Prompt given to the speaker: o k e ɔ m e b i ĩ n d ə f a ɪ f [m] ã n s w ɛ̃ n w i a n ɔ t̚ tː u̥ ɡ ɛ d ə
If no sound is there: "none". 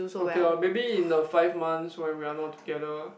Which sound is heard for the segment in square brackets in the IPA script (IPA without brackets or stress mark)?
m